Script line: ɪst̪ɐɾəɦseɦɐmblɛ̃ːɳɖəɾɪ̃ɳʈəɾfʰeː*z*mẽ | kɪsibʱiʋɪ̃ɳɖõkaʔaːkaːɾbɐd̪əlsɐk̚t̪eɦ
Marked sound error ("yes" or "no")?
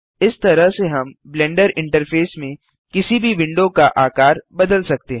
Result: yes